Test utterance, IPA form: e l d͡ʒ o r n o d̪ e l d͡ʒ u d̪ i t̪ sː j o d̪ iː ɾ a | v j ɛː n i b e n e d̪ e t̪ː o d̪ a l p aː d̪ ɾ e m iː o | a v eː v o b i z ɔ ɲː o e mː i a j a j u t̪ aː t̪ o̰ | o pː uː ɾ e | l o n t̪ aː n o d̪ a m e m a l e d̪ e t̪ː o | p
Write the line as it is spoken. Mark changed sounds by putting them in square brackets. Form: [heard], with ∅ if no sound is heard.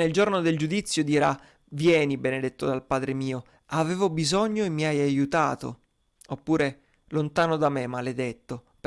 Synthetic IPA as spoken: e l d͡ʒ o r n o d̪ e l d͡ʒ u d̪ i t̪ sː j o d̪ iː ɾ a | v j ɛː n i b e n e d̪ e t̪ː o d̪ a l p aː d̪ ɾ e m iː o | a v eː v o b i z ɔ ɲː o e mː i a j a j u t̪ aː t̪ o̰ | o pː uː ɾ e | l o n t̪ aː n o d̪ a m e m a l e d̪ e t̪ː o | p